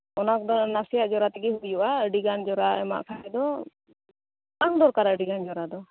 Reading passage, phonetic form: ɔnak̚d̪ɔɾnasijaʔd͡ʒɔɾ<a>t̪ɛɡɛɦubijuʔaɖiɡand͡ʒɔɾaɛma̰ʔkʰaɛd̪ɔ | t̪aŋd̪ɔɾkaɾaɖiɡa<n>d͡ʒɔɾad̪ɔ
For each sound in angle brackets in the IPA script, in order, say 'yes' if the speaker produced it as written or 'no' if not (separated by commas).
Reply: yes, yes